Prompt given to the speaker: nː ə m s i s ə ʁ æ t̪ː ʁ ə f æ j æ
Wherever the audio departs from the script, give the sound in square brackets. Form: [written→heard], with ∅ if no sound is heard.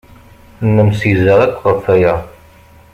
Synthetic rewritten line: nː ə m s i [s→z] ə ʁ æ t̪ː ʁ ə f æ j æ